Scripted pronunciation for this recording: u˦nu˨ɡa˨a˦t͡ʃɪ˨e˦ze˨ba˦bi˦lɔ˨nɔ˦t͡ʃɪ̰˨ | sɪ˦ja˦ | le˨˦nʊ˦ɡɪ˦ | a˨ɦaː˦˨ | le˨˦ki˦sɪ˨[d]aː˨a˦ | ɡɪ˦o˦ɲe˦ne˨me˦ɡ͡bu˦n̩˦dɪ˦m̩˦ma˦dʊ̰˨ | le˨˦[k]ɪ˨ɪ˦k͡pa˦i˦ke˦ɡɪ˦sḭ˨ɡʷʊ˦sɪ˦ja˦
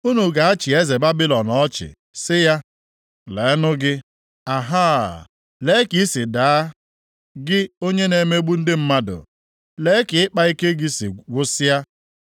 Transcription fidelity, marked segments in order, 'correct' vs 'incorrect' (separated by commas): correct, correct